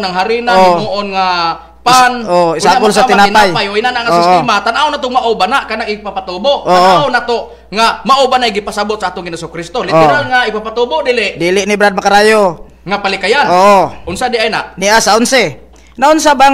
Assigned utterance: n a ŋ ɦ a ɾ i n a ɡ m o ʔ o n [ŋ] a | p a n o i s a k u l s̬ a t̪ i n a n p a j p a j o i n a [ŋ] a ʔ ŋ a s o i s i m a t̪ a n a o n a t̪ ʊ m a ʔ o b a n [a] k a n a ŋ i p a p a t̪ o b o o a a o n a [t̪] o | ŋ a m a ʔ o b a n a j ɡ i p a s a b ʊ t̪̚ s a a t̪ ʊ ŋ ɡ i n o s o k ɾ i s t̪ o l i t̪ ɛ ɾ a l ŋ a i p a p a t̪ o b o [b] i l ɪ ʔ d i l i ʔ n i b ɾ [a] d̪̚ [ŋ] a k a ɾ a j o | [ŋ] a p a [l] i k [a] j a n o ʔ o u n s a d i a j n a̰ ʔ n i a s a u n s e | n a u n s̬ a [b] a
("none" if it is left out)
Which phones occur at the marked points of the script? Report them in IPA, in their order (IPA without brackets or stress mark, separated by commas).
ŋ, n, a, t̪, d, a, m, ŋ, l, a, b